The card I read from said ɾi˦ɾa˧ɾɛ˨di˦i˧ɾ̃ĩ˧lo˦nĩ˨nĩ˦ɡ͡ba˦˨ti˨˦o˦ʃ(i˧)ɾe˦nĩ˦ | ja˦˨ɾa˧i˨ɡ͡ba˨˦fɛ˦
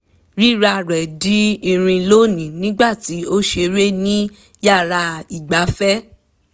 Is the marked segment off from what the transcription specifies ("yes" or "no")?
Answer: yes